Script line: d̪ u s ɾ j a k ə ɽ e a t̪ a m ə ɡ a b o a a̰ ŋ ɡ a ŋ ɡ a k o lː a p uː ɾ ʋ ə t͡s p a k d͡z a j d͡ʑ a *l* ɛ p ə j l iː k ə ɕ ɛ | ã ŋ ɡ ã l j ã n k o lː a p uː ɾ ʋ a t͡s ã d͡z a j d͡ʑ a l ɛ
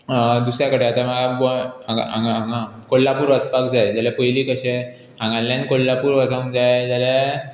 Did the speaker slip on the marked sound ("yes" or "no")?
no